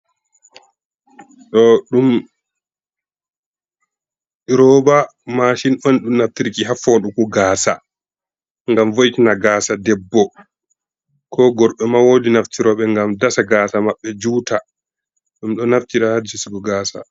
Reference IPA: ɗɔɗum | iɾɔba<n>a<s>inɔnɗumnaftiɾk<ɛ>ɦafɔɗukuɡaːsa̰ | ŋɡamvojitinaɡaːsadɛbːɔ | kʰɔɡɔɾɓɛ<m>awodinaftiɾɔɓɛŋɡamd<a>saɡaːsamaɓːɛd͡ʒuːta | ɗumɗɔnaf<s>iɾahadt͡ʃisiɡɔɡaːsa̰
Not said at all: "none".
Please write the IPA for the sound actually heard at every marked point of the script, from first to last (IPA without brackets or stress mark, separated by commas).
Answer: m, ʃ, i, m, a, t